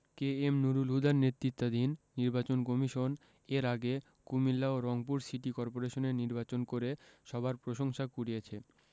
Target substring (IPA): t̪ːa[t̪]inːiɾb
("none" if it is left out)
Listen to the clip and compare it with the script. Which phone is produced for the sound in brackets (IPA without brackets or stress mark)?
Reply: d̪